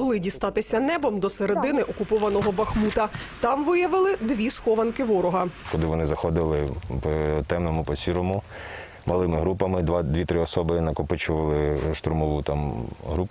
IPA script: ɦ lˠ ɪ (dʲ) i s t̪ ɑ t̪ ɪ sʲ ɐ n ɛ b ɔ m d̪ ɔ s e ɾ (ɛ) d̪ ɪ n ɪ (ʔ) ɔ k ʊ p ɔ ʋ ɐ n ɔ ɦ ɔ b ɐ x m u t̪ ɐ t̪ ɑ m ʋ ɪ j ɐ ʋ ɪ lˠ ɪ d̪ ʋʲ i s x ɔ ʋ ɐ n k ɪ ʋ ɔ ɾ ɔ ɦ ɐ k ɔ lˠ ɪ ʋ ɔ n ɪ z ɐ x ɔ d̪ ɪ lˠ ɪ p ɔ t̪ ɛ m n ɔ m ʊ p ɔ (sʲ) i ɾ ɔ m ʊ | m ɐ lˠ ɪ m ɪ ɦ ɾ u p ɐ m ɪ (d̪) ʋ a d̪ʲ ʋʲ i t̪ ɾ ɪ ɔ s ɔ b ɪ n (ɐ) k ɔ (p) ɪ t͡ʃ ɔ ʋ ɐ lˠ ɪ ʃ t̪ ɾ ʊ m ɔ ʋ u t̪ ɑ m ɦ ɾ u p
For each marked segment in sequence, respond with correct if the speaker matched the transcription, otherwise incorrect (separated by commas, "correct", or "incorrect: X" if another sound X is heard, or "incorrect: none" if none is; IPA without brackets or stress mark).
correct, incorrect: e, correct, correct, correct, correct, correct